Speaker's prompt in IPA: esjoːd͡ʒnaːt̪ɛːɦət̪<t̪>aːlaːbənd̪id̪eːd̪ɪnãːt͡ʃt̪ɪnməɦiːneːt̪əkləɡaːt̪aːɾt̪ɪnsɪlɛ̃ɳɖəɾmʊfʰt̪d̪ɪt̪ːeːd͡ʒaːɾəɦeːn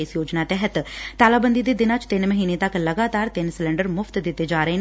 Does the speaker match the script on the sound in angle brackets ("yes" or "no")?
yes